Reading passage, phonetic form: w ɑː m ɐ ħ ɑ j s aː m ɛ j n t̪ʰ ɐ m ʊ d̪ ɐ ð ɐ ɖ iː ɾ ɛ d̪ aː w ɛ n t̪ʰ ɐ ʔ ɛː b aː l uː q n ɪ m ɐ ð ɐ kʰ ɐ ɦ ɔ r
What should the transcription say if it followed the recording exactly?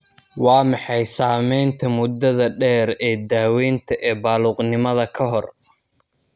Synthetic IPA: w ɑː m ɑ ħ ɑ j s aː m ɛ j n t̪ʰ ɐ m ʊ d̪ ɐ ð ɐ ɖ ɛː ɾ ɛː d̪ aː w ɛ n t̪ʰ ɐ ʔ ɛː b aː l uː q n ɪ m ɐ ð ɐ kʰ ɐ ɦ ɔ r